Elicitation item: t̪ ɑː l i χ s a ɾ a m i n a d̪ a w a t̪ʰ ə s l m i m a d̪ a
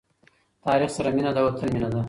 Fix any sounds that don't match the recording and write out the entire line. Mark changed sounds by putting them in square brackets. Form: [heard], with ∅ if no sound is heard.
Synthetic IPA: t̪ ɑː [ɾ] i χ s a ɾ a m i n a d̪ a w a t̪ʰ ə [∅] l m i [n] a d̪ a